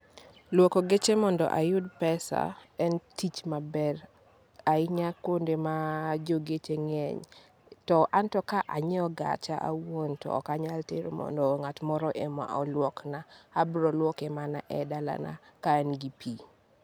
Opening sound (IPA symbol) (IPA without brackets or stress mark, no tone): l